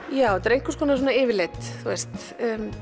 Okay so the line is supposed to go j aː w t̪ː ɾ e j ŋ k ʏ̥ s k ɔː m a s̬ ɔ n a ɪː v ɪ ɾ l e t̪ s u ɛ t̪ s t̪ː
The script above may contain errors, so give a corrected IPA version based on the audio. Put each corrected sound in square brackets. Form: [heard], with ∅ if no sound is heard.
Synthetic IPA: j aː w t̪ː ɾ e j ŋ k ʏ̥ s k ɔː [n] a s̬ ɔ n a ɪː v ɪ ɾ l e t̪ [θ] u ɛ [∅] s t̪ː